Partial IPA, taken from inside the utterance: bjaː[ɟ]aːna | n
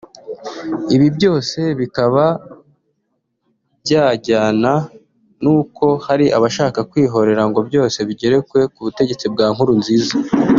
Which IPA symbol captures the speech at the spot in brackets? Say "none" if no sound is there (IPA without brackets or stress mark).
ɟ